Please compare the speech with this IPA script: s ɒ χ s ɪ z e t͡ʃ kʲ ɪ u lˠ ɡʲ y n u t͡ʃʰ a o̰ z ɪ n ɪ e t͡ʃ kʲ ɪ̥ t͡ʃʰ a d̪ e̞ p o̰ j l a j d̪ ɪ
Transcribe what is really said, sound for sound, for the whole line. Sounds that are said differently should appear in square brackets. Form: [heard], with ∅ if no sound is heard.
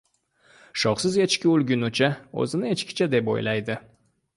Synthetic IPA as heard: [ʃ] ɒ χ s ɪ z e t͡ʃ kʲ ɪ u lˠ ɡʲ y n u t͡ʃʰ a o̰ z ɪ n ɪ e t͡ʃ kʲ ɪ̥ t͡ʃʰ a d̪ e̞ p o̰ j l a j d̪ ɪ